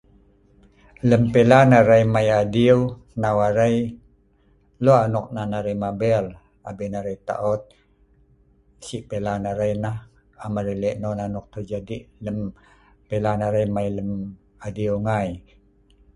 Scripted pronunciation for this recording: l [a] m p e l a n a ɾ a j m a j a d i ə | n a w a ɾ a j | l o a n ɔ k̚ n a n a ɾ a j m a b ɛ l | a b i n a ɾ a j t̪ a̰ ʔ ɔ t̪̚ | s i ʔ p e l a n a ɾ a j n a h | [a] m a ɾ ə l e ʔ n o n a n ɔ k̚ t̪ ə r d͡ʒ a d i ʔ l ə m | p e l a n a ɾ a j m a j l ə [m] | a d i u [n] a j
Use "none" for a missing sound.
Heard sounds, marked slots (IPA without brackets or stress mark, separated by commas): ə, a, m, ŋ